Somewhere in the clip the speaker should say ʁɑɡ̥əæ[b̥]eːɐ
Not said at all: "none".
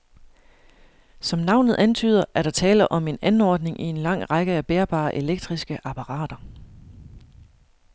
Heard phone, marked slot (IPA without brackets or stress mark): b̥